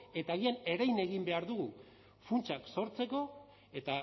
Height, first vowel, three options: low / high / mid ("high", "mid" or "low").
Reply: mid